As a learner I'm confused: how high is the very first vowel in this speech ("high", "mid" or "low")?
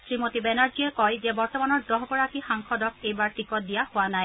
high